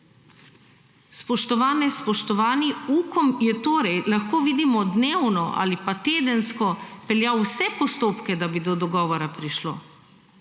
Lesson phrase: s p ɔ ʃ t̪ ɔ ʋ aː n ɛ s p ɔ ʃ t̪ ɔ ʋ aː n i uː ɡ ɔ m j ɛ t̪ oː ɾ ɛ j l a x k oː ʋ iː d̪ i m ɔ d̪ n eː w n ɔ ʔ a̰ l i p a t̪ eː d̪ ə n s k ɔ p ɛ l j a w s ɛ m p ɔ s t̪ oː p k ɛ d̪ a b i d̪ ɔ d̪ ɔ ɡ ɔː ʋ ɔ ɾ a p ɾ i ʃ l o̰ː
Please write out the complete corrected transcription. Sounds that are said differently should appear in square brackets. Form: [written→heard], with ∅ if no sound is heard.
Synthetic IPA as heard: s p ɔ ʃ t̪ ɔ ʋ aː n ɛ s p ɔ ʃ t̪ ɔ ʋ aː n i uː [ɡ→k] ɔ m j ɛ t̪ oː ɾ ɛ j l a x k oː ʋ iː d̪ i m ɔ d̪ n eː w n ɔ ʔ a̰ l i p a t̪ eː d̪ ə n s k ɔ p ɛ l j a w s ɛ [m→∅] p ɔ s t̪ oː p k ɛ d̪ a b i d̪ ɔ d̪ ɔ ɡ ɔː ʋ ɔ ɾ a p ɾ i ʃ l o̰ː